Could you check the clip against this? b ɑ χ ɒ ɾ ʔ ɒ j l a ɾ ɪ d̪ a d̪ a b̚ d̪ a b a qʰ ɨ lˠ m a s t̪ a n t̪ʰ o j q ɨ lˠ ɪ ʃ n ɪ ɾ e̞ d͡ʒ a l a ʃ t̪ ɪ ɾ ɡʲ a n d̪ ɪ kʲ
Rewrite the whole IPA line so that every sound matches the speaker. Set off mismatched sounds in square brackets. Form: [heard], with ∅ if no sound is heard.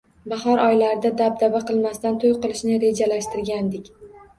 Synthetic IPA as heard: b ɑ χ ɒ ɾ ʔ ɒ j l a ɾ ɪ d̪ a d̪ a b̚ d̪ a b a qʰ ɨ lˠ m a s t̪ a n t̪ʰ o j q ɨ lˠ ɪ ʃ n ɪ ɾ e̞ d͡ʒ a l a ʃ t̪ ɪ ɾ ɡʲ a n d̪ ɪ kʲ